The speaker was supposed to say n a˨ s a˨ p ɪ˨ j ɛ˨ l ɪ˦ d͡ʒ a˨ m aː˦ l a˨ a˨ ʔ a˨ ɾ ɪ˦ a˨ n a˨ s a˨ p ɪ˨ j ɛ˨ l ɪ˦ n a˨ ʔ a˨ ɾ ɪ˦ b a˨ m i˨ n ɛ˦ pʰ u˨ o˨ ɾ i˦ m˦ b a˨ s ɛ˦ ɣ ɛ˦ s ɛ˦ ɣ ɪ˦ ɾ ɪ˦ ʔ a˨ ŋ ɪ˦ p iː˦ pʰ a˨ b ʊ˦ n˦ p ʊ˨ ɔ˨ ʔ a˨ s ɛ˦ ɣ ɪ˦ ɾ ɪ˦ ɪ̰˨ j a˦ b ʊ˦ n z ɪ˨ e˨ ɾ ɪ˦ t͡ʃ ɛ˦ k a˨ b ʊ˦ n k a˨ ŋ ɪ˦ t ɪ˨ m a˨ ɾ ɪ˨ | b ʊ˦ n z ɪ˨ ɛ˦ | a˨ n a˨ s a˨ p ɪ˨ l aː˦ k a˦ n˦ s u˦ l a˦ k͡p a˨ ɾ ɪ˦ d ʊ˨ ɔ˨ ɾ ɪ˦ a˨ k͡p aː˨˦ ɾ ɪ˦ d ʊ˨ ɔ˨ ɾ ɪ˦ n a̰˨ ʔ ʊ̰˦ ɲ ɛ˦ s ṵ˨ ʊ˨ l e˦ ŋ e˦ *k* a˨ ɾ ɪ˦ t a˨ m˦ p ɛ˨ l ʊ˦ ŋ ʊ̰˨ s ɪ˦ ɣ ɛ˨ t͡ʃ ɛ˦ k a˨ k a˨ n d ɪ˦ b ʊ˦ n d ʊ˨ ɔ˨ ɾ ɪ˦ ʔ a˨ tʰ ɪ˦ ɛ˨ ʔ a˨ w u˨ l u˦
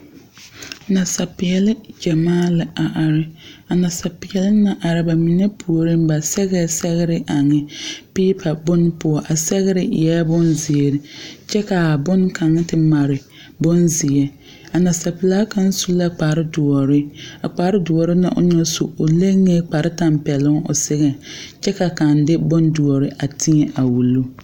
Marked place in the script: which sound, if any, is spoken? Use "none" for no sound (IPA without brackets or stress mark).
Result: k͡p